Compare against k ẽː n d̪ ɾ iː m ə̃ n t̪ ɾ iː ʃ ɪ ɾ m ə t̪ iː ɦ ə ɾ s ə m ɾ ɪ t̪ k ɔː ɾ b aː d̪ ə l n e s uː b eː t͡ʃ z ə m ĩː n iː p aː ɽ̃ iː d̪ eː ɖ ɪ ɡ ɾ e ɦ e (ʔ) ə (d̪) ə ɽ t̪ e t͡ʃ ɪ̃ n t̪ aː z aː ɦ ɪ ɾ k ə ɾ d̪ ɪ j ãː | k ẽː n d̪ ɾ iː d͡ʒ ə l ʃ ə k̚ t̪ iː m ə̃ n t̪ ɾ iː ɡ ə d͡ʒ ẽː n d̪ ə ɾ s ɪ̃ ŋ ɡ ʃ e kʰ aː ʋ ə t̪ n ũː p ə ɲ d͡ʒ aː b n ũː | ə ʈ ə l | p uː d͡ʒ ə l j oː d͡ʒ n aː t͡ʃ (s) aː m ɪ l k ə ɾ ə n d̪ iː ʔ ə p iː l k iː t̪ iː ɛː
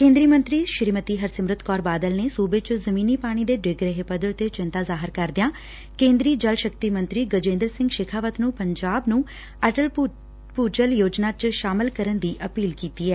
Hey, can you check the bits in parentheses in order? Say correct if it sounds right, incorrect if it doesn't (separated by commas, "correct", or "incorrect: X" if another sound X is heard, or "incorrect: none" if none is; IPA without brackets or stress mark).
incorrect: p, correct, incorrect: ʃ